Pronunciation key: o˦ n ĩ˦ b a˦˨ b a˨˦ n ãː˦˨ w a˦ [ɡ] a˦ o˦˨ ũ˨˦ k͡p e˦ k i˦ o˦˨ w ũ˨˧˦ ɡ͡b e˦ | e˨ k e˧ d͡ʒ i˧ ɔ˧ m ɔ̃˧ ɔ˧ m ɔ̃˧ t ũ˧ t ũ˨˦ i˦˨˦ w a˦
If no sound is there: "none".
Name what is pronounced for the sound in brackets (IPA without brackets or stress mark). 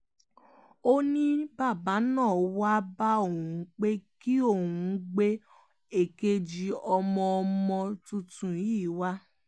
b